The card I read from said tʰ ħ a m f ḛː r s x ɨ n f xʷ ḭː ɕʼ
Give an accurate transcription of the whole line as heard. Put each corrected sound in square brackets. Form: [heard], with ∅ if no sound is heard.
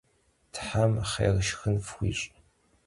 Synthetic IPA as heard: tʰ ħ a m [χ] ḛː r [ʃ] x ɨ n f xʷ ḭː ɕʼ

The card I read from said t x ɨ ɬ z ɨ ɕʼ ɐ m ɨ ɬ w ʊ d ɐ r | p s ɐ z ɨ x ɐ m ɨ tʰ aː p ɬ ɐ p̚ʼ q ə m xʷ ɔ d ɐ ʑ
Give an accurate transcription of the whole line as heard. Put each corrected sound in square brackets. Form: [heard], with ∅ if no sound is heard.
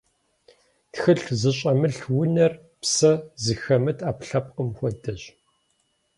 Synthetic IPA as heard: t x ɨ ɬ z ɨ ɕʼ ɐ m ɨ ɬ w ʊ [n] ɐ r | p s ɐ z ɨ x ɐ m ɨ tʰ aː p ɬ ɐ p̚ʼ q ə m xʷ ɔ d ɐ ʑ

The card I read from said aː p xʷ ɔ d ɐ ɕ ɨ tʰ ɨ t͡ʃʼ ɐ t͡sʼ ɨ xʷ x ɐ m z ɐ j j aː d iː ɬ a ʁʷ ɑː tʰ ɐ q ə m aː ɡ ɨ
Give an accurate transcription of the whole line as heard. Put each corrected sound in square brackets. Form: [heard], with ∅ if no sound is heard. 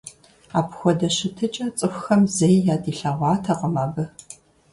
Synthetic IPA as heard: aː p xʷ ɔ d ɐ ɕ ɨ tʰ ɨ t͡ʃʼ ɐ t͡sʼ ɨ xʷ x ɐ m z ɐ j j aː d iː ɬ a ʁʷ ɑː tʰ ɐ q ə m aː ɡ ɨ

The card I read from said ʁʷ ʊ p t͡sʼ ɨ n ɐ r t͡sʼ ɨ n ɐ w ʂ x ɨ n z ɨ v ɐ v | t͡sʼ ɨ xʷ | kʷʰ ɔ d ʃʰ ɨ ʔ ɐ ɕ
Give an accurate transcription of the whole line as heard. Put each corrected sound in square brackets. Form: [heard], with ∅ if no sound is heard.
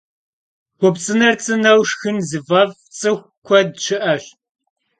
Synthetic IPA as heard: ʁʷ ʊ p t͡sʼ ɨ n ɐ r t͡sʼ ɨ n ɐ w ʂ x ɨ n z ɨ v ɐ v | t͡sʼ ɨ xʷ | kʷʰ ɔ d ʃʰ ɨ ʔ ɐ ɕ

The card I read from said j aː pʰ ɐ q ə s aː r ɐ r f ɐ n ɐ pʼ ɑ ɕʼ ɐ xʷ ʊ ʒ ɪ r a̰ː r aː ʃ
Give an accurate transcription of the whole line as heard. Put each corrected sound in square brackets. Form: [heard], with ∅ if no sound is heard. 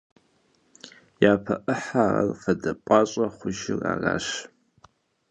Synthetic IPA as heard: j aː pʰ ɐ [ʔ] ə [ħ] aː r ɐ r f ɐ [d] ɐ pʼ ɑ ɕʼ ɐ [χʷ] ʊ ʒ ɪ r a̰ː r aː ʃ

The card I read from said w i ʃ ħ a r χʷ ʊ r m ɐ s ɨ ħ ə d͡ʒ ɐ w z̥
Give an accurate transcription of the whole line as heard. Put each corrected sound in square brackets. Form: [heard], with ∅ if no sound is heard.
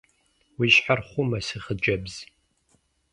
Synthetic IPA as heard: w i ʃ ħ a r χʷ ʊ [∅] m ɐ s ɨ [χ] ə d͡ʒ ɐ [b] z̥

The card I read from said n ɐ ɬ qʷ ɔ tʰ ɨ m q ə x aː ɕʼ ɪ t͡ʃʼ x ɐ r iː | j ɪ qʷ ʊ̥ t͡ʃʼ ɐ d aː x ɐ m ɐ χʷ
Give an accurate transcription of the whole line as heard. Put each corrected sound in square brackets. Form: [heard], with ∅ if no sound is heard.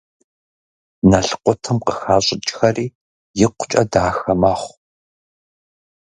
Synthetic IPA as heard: n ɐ ɬ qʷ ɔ tʰ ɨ m q ə x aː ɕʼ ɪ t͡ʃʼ x ɐ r iː | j ɪ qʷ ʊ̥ t͡ʃʼ ɐ d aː x ɐ m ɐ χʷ

